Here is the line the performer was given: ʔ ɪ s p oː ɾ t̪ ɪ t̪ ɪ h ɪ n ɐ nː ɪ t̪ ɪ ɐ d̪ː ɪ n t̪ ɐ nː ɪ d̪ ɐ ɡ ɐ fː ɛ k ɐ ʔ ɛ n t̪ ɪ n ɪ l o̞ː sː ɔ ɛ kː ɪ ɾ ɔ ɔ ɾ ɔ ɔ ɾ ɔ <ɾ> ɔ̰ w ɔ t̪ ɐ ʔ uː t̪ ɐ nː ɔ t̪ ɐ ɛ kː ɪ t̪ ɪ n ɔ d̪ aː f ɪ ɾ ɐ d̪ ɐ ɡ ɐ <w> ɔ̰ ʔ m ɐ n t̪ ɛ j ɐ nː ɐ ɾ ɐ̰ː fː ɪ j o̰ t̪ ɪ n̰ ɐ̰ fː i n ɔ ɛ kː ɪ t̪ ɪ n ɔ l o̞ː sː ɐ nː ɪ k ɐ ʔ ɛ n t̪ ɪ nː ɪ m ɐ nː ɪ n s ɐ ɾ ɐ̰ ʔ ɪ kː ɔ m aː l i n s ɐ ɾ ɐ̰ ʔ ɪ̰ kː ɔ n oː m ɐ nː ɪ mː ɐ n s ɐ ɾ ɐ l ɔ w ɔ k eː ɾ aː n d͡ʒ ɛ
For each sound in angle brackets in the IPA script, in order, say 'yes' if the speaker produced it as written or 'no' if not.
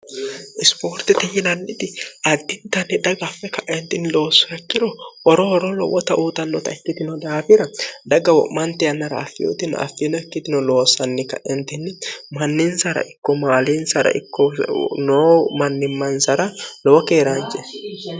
no, yes

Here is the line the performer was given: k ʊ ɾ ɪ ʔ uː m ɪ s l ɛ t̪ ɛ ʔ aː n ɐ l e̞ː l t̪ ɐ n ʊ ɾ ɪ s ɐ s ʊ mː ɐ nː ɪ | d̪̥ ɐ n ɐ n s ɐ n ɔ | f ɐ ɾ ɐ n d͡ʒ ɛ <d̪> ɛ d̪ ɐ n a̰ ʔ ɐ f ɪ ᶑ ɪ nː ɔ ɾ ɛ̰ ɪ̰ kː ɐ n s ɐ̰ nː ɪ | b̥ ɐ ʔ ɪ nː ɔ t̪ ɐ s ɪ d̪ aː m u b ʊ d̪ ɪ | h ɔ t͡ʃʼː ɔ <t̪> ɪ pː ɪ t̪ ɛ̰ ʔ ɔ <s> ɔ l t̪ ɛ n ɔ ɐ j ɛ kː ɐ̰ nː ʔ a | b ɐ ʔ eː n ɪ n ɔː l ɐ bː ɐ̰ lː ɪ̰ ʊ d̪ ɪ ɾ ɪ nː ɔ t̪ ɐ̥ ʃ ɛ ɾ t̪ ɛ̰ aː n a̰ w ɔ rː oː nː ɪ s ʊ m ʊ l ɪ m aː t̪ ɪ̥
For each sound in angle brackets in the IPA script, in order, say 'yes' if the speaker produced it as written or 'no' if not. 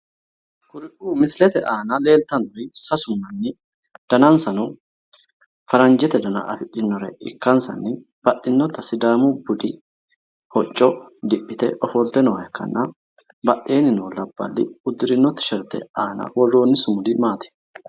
no, no, no

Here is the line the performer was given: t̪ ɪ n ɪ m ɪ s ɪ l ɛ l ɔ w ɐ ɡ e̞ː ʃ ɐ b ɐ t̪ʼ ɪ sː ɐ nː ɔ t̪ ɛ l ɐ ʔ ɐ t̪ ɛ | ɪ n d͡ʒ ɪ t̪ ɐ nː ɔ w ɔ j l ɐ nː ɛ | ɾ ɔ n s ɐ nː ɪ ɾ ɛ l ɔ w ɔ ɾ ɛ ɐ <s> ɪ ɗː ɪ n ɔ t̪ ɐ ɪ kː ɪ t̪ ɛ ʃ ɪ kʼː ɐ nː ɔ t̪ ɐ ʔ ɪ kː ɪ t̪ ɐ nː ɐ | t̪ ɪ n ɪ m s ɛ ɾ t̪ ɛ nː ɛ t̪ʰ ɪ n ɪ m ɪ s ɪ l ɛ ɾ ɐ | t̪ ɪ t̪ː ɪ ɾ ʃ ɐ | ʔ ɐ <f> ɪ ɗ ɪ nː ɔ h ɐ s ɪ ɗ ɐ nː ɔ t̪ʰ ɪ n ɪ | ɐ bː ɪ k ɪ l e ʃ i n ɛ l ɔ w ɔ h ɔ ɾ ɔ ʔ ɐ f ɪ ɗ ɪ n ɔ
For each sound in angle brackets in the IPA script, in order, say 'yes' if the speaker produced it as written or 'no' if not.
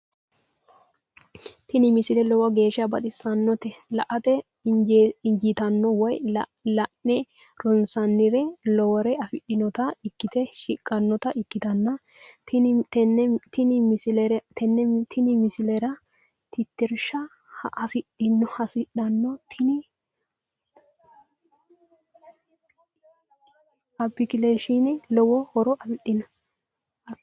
no, no

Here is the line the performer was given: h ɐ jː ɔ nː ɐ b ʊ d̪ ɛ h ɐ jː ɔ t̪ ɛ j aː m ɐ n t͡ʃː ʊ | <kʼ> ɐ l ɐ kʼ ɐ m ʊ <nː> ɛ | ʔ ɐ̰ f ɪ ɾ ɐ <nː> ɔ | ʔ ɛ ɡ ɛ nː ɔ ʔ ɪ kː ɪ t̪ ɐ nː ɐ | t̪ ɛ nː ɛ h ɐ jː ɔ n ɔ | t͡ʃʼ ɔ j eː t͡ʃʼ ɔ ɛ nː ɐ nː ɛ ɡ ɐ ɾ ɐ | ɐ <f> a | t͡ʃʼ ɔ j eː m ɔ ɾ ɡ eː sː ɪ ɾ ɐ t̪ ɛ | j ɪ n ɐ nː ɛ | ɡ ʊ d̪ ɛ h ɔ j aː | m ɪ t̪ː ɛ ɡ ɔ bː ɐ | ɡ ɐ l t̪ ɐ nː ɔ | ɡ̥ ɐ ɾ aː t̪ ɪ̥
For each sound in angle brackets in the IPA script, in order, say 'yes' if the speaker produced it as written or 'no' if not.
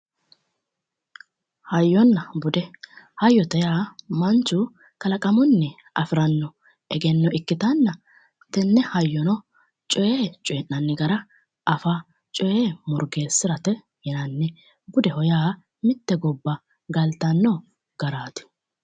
no, yes, yes, yes

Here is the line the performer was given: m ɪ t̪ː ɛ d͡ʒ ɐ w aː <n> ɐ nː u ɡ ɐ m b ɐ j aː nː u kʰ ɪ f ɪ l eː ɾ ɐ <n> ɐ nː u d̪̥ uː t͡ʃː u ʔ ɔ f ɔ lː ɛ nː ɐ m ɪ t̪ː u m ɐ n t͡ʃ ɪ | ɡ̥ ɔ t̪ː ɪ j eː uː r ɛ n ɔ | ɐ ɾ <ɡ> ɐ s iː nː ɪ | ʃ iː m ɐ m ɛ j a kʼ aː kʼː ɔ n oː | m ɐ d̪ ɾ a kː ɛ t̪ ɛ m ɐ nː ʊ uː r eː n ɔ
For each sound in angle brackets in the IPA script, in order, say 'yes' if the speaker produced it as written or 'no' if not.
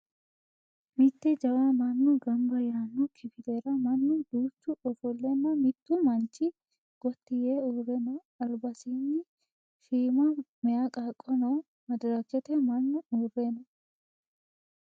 no, no, no

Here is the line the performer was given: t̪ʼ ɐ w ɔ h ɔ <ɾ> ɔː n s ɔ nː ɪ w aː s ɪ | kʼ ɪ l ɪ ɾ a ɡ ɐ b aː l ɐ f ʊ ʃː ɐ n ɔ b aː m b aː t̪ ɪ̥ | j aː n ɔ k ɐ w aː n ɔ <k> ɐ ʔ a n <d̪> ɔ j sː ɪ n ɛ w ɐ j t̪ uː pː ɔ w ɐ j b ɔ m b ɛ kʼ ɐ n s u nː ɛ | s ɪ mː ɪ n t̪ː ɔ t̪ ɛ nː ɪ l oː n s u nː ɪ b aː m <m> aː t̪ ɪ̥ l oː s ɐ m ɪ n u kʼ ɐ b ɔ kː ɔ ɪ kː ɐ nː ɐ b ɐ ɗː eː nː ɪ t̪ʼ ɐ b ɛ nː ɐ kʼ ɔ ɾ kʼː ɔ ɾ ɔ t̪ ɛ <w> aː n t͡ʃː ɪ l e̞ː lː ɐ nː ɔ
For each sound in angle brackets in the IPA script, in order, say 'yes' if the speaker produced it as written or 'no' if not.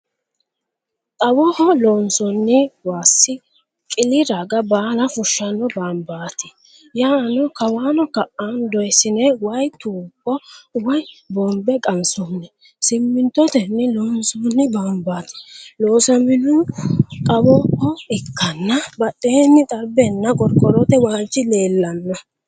no, yes, yes, no, yes

